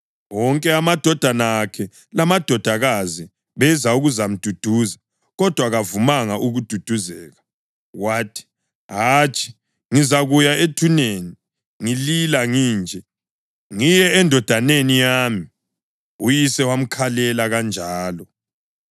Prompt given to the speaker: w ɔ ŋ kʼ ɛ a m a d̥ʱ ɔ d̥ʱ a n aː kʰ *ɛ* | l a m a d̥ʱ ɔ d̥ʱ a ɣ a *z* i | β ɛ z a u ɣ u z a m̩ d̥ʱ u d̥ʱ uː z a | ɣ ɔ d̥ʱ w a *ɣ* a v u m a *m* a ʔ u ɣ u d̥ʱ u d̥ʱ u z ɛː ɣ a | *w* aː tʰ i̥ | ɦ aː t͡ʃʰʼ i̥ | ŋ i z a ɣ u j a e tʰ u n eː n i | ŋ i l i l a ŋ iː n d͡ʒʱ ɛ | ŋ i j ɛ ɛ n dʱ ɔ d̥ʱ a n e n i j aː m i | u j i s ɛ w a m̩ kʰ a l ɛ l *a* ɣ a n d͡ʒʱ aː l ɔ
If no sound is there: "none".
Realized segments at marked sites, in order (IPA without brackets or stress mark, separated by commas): ɛ, z, ɣ, ŋ, w, a